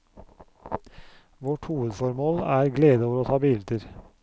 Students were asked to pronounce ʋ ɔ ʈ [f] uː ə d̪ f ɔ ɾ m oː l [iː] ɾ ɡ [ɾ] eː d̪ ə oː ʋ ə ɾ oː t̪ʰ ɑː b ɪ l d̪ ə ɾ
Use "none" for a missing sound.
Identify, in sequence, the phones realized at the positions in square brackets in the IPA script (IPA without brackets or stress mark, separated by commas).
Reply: h, æː, l